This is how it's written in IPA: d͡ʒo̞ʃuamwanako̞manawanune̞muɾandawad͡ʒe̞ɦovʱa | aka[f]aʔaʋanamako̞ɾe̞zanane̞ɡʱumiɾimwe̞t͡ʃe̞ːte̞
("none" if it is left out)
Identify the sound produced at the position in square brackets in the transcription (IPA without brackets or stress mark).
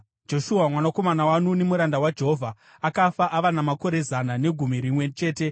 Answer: f